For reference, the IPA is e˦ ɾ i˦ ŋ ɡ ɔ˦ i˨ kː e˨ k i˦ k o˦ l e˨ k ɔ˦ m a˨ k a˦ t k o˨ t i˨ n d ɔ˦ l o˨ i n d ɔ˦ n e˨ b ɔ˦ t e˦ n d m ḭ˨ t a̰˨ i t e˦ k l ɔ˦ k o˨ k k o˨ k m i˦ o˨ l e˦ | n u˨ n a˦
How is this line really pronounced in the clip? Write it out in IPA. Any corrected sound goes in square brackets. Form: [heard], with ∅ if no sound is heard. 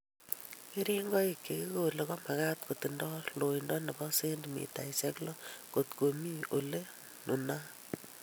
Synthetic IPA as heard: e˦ ɾ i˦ ŋ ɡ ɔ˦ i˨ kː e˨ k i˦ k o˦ l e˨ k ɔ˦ m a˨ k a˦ t k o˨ t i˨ n d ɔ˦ l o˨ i n d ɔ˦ n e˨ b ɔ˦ [s] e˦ n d m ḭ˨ t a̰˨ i [s] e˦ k l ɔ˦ k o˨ [t] k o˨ [∅] m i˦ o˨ l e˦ | n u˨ n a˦